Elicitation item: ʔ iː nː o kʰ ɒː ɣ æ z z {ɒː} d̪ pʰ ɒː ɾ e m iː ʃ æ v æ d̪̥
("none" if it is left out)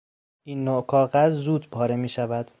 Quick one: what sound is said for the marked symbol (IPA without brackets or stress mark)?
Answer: uː